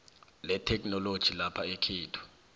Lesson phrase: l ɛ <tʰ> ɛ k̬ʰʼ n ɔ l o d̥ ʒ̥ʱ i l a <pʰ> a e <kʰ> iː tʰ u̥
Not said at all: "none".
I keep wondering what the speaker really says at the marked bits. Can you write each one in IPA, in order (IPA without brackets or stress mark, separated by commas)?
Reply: tʰ, pʰ, kʰ